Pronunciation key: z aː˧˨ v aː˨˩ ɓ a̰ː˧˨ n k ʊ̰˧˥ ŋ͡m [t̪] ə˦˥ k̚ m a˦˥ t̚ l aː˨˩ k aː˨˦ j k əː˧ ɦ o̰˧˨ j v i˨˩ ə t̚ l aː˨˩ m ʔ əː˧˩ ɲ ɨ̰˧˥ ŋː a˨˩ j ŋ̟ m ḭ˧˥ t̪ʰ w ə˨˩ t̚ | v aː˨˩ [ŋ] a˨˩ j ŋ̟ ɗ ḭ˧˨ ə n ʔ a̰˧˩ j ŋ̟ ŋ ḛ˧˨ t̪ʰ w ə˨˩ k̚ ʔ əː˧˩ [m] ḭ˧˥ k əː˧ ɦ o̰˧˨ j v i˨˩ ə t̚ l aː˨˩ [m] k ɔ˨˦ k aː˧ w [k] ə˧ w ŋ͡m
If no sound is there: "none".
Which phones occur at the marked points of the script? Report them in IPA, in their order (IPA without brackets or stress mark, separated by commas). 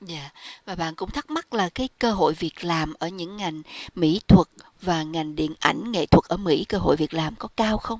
t̪ʰ, ŋ, m, m, x